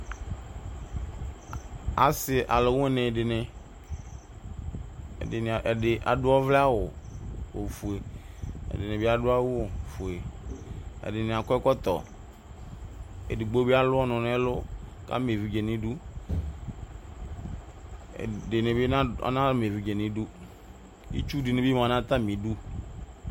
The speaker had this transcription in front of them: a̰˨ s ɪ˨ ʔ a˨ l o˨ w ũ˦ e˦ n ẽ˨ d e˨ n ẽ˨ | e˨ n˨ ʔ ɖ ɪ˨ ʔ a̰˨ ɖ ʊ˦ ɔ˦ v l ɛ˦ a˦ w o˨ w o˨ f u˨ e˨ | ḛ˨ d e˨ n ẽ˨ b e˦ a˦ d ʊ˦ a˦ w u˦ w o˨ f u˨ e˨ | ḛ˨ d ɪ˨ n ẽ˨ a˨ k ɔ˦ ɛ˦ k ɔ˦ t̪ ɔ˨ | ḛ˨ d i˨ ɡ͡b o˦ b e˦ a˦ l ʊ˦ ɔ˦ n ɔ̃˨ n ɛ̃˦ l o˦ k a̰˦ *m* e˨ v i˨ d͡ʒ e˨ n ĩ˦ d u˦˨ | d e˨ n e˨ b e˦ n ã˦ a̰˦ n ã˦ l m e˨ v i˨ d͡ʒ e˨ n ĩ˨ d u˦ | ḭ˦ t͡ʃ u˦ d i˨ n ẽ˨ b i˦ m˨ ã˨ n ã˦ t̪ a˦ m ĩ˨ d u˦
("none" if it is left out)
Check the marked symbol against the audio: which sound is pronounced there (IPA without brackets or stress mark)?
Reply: m